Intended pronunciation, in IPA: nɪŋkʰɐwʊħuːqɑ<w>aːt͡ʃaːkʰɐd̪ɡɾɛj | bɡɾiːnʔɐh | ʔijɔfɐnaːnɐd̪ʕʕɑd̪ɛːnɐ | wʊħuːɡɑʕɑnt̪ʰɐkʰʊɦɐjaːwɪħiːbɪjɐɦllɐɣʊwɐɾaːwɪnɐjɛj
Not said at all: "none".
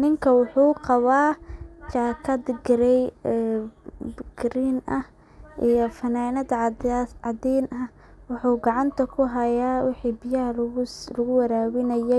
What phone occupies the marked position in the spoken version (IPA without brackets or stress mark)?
β